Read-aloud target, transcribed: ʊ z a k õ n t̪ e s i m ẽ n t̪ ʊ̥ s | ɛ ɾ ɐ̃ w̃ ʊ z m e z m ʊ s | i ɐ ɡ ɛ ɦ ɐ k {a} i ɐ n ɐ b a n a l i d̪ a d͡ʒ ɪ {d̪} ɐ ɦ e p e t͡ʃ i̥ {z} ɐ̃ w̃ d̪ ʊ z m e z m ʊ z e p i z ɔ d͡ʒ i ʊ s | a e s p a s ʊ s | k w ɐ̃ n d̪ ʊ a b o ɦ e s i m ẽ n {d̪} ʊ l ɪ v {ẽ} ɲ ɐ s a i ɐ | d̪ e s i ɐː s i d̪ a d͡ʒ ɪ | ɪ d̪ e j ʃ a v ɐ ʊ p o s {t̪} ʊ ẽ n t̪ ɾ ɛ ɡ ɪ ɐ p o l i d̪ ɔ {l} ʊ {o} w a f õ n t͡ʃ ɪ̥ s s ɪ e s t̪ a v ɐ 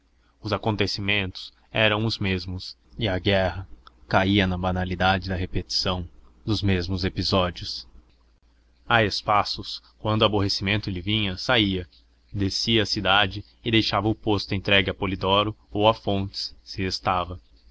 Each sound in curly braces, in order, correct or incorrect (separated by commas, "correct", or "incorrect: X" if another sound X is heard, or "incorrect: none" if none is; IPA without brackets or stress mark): correct, correct, incorrect: s, incorrect: t̪, incorrect: ĩ, correct, incorrect: ɾ, correct